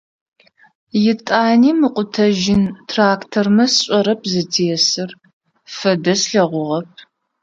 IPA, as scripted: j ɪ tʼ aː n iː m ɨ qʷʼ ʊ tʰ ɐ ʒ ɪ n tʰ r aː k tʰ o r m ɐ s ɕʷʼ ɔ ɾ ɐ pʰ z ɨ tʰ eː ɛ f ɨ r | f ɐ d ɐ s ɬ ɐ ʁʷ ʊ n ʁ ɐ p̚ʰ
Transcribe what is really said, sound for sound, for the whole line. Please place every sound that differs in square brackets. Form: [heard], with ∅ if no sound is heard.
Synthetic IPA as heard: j ɪ tʼ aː n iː m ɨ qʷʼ ʊ tʰ ɐ ʒ ɪ n tʰ r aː k tʰ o r m ɐ s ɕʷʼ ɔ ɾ ɐ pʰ z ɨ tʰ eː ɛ [s] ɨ r | f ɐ d ɐ s ɬ ɐ ʁʷ ʊ [∅] ʁ ɐ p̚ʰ